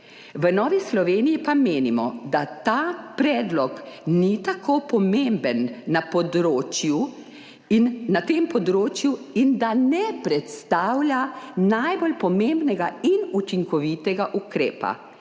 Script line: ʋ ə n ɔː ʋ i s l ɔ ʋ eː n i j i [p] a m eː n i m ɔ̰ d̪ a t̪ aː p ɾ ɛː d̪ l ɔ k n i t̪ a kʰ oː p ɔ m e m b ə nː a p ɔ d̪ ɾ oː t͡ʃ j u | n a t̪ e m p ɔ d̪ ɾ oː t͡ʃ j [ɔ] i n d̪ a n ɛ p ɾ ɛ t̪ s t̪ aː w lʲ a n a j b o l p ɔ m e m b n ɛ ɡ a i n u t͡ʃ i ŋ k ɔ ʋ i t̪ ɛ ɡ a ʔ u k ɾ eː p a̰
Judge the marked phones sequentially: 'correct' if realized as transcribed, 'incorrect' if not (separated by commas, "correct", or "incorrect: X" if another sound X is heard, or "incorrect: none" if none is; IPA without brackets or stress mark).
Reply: correct, incorrect: u